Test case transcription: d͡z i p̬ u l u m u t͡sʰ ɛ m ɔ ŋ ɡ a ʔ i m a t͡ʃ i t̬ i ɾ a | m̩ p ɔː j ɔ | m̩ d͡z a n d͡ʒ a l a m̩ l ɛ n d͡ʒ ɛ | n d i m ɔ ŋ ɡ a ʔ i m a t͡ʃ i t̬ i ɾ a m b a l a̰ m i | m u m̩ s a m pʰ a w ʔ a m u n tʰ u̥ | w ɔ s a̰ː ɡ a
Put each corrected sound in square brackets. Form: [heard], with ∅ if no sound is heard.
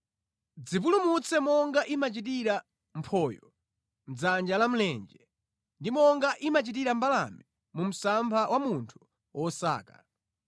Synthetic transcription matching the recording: d͡z i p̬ u l u m u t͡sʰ ɛ m ɔ ŋ ɡ a ʔ i m a t͡ʃ i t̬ i ɾ a | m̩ [pʰ] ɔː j ɔ | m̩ d͡z a n d͡ʒ a l a m̩ l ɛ n d͡ʒ ɛ | n d i m ɔ ŋ ɡ a ʔ i m a t͡ʃ i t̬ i ɾ a m b a l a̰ m i | m u m̩ s a m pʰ a w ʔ a m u n tʰ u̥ | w ɔ s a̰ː [k] a